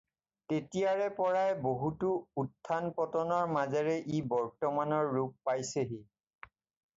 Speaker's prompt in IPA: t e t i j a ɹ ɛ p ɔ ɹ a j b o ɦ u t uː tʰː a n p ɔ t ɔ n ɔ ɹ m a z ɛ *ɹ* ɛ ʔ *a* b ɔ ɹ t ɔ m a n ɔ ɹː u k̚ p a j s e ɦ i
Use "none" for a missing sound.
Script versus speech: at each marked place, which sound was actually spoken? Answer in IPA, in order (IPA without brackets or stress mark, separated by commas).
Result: ɹ, i